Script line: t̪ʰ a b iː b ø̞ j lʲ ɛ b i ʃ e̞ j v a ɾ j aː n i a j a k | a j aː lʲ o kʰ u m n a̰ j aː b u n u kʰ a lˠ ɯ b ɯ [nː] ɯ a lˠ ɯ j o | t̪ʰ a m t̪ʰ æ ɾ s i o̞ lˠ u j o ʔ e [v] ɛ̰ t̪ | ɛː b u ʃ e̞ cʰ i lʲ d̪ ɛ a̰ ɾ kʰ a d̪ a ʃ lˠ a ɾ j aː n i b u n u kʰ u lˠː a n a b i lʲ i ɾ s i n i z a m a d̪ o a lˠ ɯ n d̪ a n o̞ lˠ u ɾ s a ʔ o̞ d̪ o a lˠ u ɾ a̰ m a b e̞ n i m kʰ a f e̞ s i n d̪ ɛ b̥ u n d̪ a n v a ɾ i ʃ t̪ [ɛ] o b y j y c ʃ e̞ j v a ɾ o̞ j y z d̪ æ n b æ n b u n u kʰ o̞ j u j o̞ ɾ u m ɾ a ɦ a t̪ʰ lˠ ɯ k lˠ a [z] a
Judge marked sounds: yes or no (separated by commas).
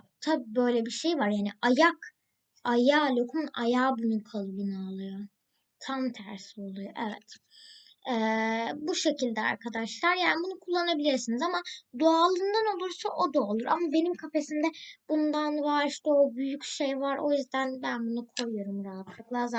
no, yes, yes, yes